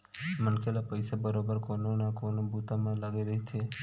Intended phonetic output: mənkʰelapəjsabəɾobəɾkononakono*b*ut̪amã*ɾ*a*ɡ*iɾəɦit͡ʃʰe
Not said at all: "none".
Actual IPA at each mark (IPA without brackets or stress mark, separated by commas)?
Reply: b, l, ɡ